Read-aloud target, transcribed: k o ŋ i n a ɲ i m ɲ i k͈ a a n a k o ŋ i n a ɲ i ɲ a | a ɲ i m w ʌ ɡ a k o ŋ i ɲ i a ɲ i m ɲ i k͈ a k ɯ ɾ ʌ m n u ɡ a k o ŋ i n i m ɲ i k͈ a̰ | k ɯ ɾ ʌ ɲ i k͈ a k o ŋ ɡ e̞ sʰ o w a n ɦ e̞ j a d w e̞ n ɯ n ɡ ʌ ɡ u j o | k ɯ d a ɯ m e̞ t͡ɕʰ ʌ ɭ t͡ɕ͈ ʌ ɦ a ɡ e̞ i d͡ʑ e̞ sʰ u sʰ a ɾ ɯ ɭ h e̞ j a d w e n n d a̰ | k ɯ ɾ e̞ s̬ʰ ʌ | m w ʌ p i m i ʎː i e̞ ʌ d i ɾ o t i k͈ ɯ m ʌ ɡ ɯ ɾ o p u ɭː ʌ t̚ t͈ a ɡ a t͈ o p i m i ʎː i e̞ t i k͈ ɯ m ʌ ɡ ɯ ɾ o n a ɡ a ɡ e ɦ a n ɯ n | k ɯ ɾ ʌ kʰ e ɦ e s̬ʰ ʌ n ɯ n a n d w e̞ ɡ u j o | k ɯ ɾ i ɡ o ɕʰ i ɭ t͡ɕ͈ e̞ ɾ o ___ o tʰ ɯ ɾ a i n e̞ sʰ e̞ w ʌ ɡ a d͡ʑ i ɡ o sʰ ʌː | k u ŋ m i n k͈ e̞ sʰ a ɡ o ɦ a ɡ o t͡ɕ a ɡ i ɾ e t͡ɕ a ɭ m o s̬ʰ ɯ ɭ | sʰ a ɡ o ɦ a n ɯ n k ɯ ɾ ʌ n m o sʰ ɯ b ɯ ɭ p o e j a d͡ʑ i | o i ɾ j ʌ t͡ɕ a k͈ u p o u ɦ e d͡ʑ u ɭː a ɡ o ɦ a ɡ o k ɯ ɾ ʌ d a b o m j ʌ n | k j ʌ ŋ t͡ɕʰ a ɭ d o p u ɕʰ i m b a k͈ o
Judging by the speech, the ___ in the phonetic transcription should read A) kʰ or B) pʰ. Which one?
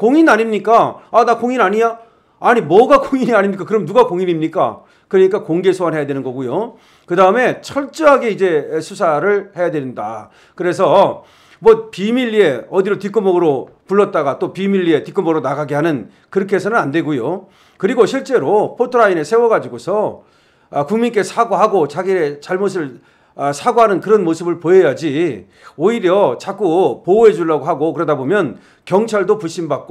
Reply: B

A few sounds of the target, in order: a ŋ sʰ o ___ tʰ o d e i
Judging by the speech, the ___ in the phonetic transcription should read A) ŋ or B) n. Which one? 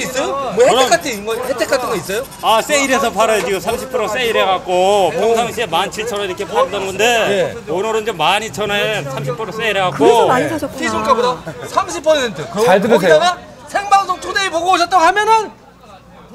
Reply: A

